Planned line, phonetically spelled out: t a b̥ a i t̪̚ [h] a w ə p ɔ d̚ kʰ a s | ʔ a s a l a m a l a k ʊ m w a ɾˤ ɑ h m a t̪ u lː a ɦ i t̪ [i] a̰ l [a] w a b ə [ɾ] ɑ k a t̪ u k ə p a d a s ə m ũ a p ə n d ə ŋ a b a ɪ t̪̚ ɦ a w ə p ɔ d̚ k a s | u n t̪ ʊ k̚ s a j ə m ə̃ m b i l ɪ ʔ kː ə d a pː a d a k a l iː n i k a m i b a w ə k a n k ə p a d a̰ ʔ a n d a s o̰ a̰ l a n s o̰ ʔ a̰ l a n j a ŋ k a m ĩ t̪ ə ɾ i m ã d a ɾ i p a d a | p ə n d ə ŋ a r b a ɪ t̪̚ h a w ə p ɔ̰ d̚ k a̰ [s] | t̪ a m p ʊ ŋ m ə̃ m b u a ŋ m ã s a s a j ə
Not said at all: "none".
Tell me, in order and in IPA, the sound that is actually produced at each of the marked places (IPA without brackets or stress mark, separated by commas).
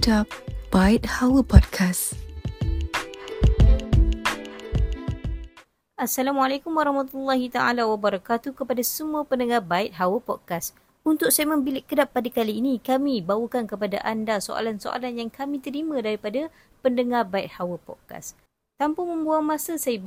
h, a, a, ɾ, s